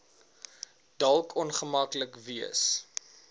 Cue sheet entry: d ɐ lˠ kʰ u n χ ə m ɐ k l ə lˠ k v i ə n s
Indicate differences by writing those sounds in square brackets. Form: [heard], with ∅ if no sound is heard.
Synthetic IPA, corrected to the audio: d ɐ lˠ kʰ [ɔ] n χ ə m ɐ k l ə [∅] k v i ə [∅] s